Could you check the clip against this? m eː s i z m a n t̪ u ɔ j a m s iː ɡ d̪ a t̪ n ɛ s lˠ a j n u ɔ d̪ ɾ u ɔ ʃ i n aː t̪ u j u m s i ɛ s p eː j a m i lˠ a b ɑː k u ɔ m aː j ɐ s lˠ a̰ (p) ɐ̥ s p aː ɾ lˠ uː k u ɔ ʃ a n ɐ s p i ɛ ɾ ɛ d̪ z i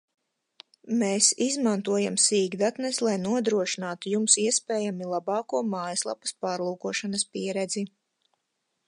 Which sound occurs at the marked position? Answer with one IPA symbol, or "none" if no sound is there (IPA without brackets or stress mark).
p